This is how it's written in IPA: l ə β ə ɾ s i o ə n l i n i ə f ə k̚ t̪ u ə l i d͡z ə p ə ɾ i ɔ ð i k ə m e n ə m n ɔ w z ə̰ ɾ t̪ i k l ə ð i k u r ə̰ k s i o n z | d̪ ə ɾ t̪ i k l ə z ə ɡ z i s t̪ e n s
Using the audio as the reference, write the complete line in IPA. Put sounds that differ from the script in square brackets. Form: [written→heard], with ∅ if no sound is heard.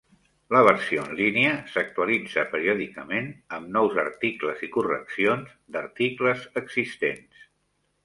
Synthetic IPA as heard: l ə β ə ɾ s i o ə n l i n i ə [f→s] ə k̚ t̪ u ə l i d͡z ə p ə ɾ i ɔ ð i k ə m e n ə m n ɔ w z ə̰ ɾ t̪ i k l ə [ð→z] i k u r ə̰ k s i o n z | d̪ ə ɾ t̪ i k l ə z ə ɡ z i s t̪ e n s